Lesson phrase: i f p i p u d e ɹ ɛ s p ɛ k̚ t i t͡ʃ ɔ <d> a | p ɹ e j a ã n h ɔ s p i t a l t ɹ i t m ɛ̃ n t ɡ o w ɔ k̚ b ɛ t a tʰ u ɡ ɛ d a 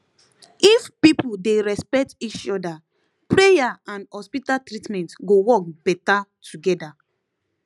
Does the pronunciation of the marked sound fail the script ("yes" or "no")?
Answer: no